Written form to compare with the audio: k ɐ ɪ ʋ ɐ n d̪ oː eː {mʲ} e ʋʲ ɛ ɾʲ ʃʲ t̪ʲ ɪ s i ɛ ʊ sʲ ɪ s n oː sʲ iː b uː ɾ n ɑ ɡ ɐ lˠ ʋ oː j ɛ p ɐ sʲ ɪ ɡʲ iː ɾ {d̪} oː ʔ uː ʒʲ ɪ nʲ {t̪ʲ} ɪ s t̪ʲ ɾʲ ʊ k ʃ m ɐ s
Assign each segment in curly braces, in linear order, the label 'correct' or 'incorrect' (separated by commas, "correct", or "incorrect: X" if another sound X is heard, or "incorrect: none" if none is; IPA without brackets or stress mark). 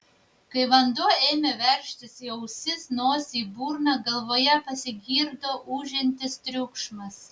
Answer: correct, correct, correct